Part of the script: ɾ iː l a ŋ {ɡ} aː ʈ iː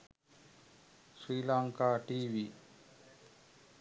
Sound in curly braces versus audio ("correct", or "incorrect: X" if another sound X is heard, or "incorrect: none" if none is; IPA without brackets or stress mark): incorrect: k